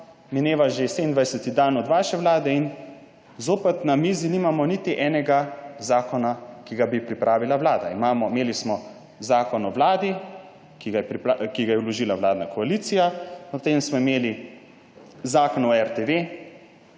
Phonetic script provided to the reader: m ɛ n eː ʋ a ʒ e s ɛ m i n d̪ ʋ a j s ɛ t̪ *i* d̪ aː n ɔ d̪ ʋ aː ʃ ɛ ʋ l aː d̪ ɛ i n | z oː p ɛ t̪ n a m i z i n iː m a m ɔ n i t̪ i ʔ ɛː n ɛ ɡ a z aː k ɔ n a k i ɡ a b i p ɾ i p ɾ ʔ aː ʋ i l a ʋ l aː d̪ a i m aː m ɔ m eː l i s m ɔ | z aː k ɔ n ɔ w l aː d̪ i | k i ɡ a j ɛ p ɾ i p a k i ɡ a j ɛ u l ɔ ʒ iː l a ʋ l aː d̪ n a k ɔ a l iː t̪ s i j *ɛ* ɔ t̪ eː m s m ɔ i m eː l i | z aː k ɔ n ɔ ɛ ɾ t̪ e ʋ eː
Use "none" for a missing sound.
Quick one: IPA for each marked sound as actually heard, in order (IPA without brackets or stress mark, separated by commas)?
i, a